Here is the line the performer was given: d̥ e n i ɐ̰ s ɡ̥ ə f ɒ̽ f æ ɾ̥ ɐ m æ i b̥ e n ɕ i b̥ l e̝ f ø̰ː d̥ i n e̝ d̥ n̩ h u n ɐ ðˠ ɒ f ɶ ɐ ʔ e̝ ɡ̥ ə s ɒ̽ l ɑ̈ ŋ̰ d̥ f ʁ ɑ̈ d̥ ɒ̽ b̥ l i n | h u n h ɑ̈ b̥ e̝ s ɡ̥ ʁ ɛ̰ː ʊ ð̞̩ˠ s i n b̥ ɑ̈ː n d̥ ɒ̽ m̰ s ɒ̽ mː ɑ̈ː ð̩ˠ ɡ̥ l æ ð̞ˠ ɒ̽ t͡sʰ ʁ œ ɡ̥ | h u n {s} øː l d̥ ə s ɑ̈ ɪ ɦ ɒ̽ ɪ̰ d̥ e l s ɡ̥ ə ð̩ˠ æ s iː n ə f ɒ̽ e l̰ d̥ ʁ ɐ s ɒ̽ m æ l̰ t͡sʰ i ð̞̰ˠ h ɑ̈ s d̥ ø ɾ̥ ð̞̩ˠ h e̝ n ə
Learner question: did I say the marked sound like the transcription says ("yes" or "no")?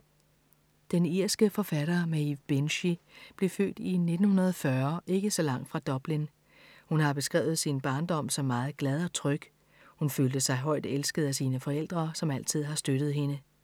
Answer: no